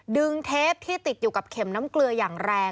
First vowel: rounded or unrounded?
unrounded